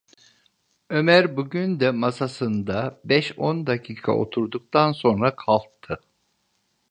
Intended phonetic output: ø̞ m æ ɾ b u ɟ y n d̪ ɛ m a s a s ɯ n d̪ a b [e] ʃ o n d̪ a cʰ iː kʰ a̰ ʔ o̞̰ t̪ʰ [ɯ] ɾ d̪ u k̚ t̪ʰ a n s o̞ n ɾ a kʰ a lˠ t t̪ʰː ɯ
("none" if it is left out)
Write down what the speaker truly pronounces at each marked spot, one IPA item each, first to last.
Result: ɛ, u

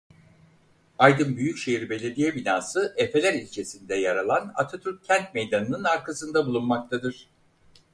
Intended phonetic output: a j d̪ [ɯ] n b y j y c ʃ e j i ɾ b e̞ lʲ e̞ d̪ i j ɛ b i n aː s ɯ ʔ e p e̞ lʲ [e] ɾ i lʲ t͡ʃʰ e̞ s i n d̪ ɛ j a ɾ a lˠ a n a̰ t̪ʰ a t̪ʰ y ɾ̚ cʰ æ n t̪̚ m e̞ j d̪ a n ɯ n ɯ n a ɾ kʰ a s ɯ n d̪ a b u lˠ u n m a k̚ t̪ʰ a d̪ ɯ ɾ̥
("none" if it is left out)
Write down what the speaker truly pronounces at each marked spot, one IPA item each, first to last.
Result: ɯ, æ

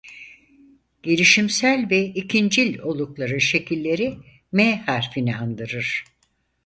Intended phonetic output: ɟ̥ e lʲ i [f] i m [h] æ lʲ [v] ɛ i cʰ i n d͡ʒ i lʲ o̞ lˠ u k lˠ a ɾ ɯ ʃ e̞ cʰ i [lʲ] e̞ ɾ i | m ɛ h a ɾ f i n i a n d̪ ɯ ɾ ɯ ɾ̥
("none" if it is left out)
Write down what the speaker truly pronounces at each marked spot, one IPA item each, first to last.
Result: ʃ, s, v, lʲː

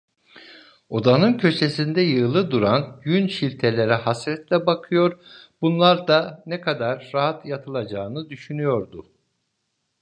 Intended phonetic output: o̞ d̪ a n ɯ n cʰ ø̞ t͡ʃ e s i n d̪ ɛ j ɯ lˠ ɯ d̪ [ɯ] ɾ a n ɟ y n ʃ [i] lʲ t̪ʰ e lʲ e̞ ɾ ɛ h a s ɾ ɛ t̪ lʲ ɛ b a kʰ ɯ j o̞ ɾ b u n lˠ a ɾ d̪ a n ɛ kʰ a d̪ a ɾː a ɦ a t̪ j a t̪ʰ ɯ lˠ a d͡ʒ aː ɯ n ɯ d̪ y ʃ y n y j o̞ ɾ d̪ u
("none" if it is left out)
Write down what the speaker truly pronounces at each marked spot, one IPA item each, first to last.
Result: u, i

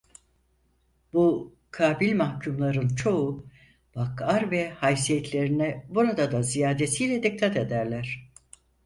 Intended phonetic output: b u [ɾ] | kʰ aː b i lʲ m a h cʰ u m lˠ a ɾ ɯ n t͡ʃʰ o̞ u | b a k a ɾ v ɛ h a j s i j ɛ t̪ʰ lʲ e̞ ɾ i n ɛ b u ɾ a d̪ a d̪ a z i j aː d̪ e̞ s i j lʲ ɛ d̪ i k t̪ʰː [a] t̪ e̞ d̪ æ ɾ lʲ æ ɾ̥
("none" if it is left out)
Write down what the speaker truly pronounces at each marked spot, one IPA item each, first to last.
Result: none, a

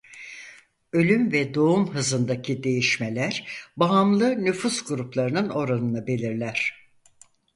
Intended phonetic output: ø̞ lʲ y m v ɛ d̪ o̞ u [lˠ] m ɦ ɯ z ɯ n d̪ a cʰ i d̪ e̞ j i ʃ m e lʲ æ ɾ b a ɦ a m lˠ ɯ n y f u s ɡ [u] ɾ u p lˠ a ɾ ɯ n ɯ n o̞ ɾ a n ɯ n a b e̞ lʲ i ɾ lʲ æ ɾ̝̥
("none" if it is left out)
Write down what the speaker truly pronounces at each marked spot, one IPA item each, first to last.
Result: none, u

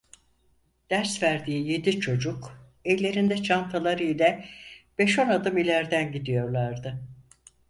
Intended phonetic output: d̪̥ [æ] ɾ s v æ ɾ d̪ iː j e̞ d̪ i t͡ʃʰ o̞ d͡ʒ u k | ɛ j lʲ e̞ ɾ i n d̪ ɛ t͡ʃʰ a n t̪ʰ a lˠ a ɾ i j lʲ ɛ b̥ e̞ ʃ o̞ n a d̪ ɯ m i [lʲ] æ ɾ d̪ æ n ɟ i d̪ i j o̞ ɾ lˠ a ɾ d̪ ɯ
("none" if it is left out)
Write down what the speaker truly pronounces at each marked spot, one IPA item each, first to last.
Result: æ, lʲ

